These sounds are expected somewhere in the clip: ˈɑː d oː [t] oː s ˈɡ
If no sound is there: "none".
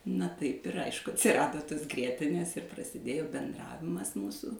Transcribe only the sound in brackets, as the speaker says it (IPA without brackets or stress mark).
t